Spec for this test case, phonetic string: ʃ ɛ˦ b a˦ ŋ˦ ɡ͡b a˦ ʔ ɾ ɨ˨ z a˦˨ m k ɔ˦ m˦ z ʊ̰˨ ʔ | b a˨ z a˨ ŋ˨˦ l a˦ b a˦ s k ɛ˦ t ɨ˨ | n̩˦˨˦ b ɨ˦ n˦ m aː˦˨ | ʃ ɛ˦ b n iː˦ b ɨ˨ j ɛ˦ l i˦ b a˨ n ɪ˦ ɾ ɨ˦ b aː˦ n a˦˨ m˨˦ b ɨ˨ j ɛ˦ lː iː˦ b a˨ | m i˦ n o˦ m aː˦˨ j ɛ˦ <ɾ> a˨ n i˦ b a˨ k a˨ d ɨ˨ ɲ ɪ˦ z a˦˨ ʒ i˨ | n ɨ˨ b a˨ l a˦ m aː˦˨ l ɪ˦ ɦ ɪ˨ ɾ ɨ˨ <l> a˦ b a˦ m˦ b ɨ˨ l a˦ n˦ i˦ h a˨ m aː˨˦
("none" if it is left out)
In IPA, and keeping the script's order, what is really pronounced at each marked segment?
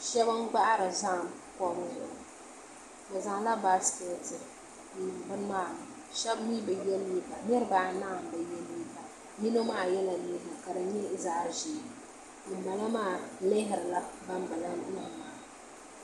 l, l

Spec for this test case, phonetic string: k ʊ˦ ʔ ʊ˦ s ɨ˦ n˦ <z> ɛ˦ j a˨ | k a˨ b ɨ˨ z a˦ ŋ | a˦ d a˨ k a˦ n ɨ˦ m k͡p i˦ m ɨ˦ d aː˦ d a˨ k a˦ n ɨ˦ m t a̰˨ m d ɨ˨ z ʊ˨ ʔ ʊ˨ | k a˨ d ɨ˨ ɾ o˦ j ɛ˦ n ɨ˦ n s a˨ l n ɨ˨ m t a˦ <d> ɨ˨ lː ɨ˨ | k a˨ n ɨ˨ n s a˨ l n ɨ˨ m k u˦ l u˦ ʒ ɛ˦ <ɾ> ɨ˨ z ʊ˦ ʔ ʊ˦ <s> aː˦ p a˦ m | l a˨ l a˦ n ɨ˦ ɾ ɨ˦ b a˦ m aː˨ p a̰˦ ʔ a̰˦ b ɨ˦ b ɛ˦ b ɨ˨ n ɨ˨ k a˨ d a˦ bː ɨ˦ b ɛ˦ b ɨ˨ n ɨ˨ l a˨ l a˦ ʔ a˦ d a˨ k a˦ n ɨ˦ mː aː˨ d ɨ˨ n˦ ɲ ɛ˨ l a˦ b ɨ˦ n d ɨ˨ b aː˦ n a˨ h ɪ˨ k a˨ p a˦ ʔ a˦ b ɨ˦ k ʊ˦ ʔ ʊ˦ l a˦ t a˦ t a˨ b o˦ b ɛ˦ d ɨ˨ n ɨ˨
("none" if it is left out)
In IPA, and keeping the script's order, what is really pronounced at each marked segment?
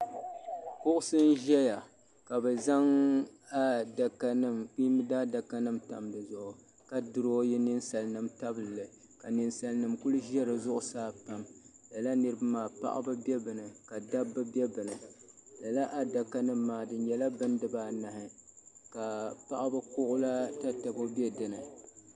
ʒ, b, ɾ, s

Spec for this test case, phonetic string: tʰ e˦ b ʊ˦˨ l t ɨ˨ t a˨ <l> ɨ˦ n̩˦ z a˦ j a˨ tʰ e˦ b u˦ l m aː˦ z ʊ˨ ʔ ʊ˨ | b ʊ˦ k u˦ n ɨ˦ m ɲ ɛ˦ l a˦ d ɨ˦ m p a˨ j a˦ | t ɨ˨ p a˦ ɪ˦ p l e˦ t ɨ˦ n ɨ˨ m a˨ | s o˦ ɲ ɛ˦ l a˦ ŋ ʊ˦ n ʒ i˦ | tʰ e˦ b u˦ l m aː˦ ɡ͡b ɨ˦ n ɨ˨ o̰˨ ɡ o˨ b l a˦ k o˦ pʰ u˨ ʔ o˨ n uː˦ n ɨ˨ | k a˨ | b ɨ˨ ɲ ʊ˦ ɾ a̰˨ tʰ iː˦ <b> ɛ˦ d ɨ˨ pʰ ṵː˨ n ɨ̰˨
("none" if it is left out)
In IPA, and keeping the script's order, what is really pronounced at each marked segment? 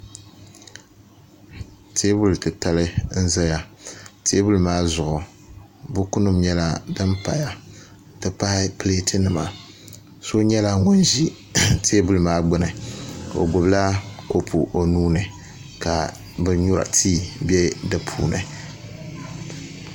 l, b

